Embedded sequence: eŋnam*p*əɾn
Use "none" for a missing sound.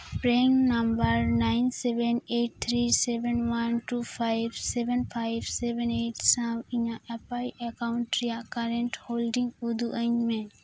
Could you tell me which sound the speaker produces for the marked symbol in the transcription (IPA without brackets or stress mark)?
b